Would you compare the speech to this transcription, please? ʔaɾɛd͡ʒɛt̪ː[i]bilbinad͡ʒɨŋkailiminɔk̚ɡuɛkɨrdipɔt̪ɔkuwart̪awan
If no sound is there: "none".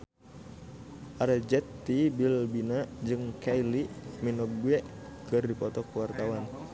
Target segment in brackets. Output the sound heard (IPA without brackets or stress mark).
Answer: i